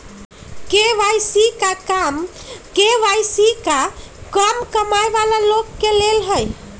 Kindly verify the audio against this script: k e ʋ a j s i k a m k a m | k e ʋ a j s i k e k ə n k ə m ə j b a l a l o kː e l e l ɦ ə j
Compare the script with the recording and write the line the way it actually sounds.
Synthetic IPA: k e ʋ a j s i k a k a m | k e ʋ a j s i k a k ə m k ə m a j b a l a l o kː e l e l ɦ ə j